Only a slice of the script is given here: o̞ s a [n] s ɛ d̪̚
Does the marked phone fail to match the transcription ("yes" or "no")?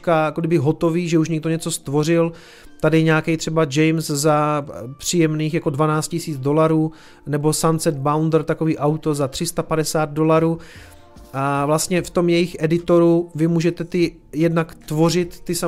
no